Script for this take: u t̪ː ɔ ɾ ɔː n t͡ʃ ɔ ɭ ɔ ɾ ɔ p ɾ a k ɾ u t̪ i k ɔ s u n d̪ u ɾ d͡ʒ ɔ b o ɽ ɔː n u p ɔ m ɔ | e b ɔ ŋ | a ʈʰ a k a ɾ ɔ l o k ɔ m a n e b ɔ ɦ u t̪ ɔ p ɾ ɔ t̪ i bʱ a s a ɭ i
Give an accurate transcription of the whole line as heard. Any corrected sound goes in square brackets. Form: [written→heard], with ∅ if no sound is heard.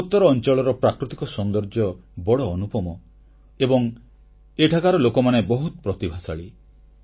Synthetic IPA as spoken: u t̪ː ɔ ɾ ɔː n t͡ʃ ɔ ɭ ɔ ɾ ɔ p ɾ a k ɾ u t̪ i k ɔ s [u→ɔ] n d̪ [u→ɔ] ɾ d͡ʒ ɔ b [o→ɔ] ɽ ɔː n u p ɔ m ɔ | e b ɔ ŋ | [a→e] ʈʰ a k a ɾ ɔ l o k ɔ m a n e b ɔ ɦ u t̪ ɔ p ɾ ɔ t̪ i bʱ a s a ɭ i